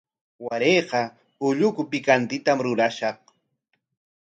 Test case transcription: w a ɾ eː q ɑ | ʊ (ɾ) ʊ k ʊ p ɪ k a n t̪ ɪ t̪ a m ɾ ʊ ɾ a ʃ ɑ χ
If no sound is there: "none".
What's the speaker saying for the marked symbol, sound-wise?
ʎ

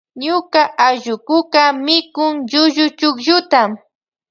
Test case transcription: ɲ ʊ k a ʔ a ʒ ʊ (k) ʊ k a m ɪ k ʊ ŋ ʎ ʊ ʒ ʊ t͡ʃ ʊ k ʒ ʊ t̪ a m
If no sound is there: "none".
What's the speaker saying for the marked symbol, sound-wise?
k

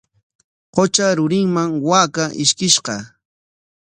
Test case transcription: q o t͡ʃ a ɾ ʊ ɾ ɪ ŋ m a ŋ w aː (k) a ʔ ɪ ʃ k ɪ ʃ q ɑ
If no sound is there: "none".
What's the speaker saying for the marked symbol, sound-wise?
k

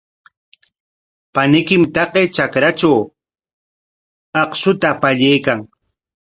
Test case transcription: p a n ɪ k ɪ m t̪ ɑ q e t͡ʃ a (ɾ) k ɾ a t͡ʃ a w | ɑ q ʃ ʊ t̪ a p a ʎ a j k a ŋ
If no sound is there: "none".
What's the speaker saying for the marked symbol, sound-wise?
none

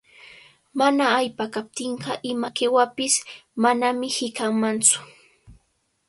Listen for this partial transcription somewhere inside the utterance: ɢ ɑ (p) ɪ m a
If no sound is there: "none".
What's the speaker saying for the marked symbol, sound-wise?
ʔ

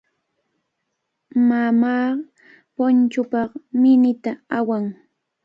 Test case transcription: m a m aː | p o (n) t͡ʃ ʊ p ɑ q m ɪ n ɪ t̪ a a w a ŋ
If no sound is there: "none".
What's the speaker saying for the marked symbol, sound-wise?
n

